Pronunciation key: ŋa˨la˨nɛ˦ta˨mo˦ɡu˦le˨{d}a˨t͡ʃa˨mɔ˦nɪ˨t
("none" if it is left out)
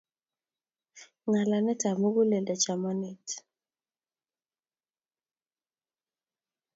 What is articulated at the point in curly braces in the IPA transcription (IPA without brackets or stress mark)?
d